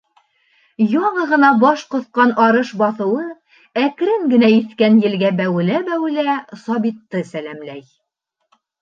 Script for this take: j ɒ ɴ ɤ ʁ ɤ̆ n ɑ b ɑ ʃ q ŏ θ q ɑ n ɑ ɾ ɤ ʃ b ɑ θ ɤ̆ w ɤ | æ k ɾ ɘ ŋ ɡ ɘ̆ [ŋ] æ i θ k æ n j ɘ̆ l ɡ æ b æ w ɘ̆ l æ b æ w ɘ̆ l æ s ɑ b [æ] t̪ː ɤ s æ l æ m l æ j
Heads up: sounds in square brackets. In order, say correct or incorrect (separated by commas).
incorrect, incorrect